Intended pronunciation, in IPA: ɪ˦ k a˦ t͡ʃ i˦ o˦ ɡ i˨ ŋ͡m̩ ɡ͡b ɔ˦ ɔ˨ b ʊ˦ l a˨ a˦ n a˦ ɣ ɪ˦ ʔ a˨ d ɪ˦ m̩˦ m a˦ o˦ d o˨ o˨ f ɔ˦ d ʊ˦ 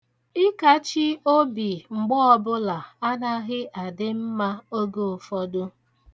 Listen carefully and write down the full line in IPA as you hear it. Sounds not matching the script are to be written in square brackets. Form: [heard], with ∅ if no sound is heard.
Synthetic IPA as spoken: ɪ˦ k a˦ t͡ʃ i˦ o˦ [b] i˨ ŋ͡m̩ ɡ͡b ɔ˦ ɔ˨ b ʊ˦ l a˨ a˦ n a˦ ɣ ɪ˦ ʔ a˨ d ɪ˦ m̩˦ m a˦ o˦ [ɡ] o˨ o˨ f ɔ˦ d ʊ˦